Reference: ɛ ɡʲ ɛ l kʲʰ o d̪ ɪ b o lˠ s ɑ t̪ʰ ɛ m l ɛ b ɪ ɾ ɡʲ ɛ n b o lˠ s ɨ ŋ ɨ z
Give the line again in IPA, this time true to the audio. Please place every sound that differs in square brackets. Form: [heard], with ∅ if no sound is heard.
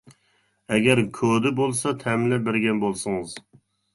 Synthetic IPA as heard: ɛ ɡʲ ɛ [ɾ] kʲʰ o d̪ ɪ b o lˠ s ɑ t̪ʰ ɛ m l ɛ b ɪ ɾ ɡʲ ɛ n b o lˠ s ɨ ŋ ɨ z

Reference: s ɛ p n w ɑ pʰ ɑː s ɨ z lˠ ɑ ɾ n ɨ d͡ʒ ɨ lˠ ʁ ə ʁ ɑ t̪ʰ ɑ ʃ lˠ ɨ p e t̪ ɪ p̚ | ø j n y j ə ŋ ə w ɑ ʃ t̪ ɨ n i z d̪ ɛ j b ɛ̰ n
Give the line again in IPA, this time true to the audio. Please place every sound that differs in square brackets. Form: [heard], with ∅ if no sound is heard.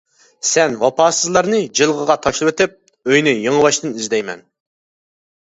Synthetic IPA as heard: s ɛ [∅] n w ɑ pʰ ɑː s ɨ z lˠ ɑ ɾ n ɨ d͡ʒ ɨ lˠ ʁ ə ʁ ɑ t̪ʰ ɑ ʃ lˠ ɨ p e t̪ ɪ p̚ | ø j n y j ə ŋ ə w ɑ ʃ t̪ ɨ n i z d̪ ɛ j [m] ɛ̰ n

